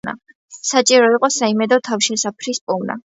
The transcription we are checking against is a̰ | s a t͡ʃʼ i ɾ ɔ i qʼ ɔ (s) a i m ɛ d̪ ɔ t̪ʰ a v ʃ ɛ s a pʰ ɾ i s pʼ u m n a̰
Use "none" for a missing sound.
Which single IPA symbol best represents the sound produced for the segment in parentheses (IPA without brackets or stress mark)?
s